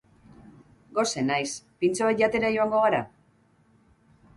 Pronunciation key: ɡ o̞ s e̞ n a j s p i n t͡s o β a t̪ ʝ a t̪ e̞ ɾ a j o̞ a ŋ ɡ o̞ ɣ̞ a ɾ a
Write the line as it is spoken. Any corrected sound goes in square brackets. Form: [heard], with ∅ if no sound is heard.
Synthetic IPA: ɡ o̞ s e̞ n a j s p i n t͡s o β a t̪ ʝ a t̪ e̞ ɾ a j o̞ a ŋ ɡ o̞ ɣ̞ a ɾ a